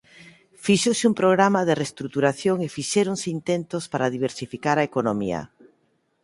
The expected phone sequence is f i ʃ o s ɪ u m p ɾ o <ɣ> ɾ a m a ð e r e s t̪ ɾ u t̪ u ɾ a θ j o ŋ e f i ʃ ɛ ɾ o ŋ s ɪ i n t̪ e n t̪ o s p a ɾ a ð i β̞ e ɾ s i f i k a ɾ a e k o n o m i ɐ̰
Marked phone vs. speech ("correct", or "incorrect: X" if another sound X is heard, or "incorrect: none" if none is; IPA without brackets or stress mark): correct